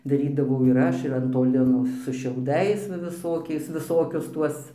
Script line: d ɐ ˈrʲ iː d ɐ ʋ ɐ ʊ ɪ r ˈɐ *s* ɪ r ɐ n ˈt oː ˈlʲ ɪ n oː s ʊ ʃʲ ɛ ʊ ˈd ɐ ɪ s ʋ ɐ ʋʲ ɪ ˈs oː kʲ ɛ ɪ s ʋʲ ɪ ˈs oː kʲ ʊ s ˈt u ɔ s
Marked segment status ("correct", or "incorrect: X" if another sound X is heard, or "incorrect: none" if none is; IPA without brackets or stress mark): incorrect: ʃ